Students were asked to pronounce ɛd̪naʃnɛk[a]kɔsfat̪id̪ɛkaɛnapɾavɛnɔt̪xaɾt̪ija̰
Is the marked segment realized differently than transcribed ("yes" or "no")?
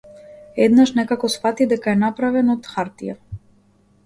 no